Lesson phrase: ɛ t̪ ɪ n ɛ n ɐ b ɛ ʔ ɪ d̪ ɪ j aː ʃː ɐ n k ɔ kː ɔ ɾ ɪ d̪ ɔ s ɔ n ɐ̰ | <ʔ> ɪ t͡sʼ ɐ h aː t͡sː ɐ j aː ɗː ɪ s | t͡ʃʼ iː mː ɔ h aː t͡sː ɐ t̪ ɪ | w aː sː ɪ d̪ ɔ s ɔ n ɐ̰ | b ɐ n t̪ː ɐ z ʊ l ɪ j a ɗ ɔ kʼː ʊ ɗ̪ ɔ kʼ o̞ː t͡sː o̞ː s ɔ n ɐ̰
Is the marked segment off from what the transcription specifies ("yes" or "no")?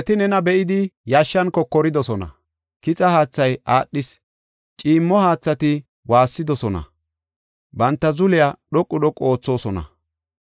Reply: yes